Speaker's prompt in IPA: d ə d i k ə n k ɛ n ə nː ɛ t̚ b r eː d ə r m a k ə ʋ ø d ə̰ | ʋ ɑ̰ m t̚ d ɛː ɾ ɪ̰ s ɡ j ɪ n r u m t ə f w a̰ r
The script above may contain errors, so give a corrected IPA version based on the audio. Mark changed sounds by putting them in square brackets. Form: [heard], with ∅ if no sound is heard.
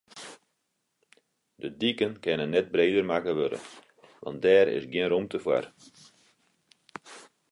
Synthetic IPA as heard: d ə d i k ə n k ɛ n ə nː ɛ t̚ b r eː d ə r m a k ə ʋ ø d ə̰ | ʋ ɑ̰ [n] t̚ d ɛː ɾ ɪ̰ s ɡ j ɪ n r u m t ə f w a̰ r